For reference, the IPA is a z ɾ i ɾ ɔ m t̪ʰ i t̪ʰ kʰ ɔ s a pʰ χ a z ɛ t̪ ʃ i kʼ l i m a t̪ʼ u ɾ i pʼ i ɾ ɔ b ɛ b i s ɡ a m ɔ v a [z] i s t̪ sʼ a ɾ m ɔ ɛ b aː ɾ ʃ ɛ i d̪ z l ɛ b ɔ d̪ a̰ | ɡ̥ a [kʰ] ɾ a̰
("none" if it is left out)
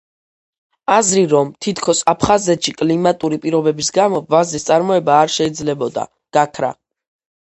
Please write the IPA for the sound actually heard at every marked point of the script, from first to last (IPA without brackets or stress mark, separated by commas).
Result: z, kʰ